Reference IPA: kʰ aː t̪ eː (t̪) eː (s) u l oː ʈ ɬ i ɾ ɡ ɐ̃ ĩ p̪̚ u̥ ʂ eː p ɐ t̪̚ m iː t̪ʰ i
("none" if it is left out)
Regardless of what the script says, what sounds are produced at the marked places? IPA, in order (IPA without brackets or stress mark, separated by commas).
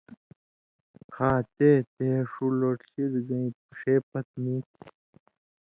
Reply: t̪, ʂ